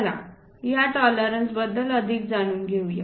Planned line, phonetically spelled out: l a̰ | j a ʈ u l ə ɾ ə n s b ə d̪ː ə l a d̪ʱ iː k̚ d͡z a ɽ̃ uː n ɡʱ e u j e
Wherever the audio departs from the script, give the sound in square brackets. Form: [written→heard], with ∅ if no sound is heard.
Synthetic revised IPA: l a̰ | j a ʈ [u→ɔ] l ə ɾ ə n s b ə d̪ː ə l [a→ə] d̪ʱ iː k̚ d͡z a ɽ̃ uː n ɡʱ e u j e